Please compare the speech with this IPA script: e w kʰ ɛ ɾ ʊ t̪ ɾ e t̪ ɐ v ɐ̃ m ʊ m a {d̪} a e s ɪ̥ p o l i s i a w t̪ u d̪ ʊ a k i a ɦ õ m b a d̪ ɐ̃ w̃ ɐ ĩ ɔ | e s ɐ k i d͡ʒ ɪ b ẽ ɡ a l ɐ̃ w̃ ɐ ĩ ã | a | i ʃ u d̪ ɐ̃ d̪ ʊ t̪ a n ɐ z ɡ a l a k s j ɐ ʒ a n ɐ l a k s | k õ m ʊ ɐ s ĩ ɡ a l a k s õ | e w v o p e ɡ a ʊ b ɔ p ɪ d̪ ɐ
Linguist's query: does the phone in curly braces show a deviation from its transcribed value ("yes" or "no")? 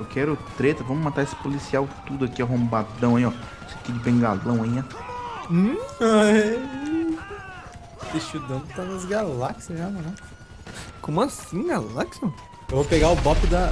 yes